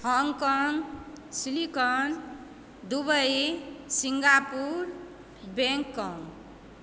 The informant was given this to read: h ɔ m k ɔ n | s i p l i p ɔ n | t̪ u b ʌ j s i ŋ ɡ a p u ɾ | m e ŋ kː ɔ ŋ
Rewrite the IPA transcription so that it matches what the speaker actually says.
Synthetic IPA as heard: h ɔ ŋ k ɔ ŋ | s i l i k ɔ n | d̪ u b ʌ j s i ŋ ɡ a p u ɾ | b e ŋ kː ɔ ŋ